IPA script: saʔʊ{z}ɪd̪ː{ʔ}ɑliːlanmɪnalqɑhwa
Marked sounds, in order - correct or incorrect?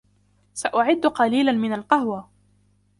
incorrect: ʕ, incorrect: q

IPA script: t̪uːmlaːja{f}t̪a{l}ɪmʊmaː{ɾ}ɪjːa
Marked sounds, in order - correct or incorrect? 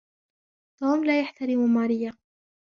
incorrect: ħ, incorrect: ɾ, correct

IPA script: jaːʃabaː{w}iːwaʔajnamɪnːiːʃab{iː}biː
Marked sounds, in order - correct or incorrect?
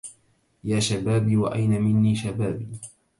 incorrect: b, incorrect: aː

